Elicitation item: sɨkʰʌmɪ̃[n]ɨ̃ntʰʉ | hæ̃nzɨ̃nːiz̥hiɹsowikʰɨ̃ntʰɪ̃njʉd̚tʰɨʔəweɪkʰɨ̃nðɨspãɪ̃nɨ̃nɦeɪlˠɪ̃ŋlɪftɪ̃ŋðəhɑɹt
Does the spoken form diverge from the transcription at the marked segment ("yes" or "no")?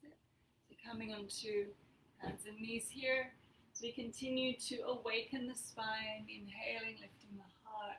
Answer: yes